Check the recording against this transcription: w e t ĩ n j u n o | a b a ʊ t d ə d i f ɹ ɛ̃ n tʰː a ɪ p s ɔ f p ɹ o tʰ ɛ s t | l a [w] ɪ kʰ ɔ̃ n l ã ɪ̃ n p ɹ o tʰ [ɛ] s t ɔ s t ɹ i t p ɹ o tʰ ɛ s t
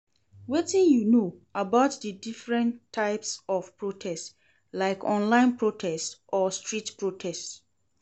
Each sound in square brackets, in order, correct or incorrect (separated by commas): incorrect, correct